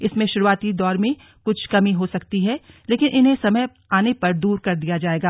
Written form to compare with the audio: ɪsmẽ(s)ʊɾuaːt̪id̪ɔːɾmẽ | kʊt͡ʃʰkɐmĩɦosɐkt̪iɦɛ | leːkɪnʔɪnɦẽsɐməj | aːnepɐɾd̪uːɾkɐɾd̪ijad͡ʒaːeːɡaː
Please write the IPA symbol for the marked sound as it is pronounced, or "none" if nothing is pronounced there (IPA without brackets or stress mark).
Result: ʃ